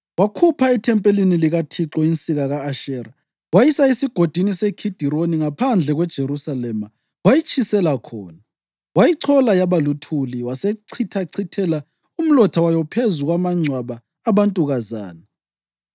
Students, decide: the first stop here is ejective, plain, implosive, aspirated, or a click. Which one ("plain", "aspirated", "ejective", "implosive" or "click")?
aspirated